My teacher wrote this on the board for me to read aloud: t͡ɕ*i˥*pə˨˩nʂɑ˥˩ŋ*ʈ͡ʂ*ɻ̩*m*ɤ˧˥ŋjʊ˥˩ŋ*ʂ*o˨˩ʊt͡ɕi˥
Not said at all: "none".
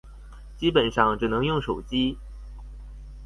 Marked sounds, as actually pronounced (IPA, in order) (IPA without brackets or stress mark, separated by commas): i˥, ʈ͡ʂ, n, ʂ